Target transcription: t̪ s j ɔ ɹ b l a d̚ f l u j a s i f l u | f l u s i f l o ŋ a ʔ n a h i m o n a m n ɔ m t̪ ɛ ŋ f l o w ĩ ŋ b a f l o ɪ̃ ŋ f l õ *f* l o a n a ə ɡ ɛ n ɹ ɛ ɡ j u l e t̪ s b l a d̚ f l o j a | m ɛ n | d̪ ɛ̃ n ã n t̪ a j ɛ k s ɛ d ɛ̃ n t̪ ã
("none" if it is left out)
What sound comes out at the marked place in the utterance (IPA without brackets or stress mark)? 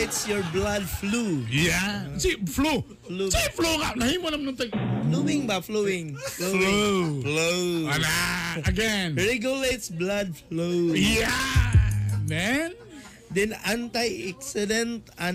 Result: f